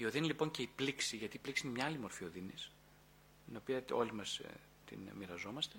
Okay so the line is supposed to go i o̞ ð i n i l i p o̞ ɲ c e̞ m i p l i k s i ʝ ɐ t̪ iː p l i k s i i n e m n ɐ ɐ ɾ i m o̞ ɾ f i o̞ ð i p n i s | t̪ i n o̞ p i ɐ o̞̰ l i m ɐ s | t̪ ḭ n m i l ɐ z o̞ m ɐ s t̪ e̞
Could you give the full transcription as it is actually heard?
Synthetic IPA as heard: i o̞ ð i n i l i p o̞ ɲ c e̞ i p l i k s i ʝ ɐ t̪ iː p l i k s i i n e m ɲ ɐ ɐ l i m o̞ ɾ f i o̞ ð i n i s | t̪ i n o̞ p i ɐ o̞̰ l i m ɐ s | t̪ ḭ n m i ɾ ɐ z o̞ m ɐ s t̪ e̞